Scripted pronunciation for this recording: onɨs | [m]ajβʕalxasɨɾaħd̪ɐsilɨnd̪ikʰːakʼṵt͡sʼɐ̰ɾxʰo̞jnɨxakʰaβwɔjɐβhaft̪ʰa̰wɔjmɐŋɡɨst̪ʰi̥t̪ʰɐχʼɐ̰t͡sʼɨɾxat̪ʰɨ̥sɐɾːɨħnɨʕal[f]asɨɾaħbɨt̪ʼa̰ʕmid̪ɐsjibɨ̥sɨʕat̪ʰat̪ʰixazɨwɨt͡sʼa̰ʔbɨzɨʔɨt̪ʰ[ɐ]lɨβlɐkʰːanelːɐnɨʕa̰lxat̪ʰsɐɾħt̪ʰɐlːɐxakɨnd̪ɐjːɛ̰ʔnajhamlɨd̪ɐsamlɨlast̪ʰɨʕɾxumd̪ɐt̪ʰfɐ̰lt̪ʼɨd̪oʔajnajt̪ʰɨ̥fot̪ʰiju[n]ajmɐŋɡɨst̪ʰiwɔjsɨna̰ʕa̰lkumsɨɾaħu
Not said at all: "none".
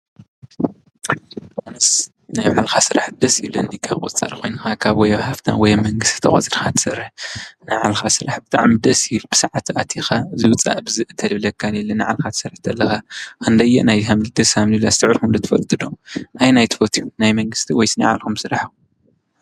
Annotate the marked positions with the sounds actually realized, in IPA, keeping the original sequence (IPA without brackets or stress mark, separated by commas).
n, x, ɐ, n